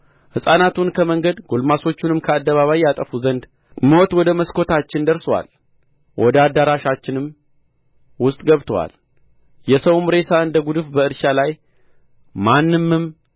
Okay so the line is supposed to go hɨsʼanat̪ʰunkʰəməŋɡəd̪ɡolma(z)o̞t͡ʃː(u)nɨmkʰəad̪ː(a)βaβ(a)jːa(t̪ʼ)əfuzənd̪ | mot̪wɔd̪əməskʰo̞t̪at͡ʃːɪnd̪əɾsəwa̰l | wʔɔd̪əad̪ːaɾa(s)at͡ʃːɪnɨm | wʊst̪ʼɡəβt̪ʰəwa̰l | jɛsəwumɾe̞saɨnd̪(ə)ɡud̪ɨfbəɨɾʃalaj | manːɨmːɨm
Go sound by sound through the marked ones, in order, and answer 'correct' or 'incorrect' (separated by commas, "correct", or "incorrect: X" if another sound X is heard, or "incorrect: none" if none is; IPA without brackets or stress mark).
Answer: incorrect: s, correct, incorrect: ə, correct, correct, incorrect: ʃ, correct